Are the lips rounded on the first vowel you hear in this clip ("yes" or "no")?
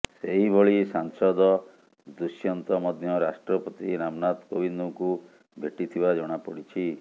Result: no